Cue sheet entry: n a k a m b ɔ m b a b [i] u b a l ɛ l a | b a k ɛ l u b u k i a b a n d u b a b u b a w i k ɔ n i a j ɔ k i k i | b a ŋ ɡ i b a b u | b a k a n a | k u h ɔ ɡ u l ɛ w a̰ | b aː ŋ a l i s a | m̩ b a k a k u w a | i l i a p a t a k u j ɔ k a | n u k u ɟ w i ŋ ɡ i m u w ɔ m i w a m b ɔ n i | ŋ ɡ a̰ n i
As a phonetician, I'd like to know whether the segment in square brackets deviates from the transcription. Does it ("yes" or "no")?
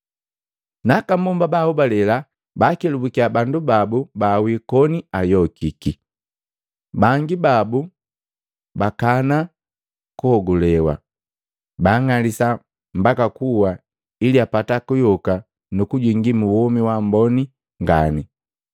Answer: yes